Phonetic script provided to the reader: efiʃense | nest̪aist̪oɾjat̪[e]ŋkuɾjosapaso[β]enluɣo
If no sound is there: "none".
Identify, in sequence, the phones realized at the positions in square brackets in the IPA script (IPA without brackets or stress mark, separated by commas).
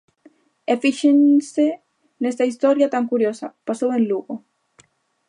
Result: a, w